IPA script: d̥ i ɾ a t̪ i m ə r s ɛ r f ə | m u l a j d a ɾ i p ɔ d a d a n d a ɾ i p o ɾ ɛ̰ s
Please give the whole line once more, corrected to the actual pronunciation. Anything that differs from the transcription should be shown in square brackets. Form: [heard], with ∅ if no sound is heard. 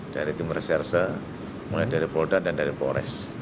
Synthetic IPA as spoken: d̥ [a] ɾ [i] t̪ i m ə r s ɛ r [s] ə | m u l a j d a ɾ i p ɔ d a d a n d a ɾ i p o ɾ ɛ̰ s